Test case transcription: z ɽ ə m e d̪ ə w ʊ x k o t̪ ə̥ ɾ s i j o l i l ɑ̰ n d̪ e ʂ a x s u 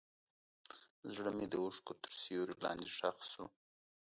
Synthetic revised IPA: z ɽ ə m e d̪ ə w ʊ ʂ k o t̪ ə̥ ɾ s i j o ɾ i l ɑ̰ n d̪ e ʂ a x s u